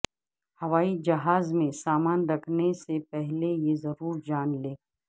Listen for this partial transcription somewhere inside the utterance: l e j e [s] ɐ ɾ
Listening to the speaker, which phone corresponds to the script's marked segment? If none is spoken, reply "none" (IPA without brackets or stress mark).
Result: z